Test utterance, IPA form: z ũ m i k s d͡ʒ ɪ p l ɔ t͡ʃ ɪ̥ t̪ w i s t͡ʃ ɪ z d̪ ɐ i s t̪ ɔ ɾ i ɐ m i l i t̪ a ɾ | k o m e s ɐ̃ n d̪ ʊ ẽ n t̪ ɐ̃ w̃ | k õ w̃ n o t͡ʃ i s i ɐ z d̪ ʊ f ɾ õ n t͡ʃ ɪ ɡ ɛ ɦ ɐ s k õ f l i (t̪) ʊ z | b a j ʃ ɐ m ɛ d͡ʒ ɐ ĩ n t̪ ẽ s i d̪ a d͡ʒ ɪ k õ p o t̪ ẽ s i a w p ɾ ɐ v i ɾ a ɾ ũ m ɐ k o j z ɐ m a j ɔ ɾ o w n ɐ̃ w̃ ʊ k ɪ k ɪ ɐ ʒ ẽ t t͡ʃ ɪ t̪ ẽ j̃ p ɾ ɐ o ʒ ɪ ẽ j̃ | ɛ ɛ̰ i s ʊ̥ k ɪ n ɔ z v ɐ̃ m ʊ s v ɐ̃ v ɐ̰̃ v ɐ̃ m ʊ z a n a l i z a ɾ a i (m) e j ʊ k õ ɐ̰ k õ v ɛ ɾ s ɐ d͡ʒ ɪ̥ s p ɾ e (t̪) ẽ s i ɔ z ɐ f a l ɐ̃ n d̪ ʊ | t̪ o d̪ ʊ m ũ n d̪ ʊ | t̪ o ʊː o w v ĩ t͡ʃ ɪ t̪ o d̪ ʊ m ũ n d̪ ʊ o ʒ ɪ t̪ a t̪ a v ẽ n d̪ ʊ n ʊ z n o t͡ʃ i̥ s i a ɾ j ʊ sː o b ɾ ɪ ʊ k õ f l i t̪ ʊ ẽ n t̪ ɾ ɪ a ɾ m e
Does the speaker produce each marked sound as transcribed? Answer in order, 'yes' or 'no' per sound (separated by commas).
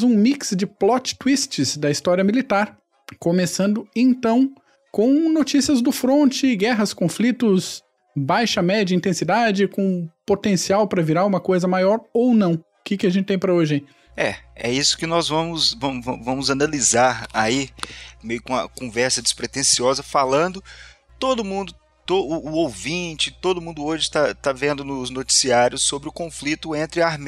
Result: yes, yes, yes